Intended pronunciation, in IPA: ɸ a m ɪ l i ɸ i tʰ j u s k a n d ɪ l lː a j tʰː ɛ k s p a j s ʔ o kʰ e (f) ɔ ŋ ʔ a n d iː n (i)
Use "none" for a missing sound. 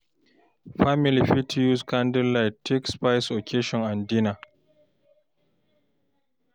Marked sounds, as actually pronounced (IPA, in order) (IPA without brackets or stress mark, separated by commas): ʃ, a